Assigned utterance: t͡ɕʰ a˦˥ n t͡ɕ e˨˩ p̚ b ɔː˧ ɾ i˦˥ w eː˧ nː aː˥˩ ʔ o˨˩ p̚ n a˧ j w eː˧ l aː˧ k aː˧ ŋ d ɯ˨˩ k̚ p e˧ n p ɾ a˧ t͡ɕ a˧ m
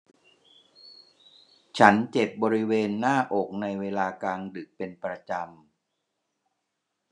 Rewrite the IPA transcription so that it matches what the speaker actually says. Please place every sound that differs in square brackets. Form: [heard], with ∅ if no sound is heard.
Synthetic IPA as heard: t͡ɕʰ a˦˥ n t͡ɕ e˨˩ p̚ b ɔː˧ ɾ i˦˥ w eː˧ nː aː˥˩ ʔ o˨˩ [k̚] n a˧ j w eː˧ l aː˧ k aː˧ ŋ d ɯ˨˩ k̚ p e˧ n p ɾ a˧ t͡ɕ a˧ m